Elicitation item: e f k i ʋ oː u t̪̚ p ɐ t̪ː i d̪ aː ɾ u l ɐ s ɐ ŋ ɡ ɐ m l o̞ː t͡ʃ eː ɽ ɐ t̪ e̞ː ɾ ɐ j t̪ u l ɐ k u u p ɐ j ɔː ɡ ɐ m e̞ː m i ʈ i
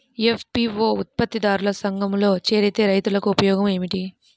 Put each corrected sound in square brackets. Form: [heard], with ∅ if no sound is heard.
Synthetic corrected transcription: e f [p] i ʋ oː u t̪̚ p ɐ t̪ː i d̪ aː ɾ u l ɐ s ɐ ŋ ɡ ɐ m l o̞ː t͡ʃ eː [ɾ] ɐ t̪ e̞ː ɾ ɐ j t̪ u l ɐ k u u p ɐ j ɔː ɡ ɐ m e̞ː m i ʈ i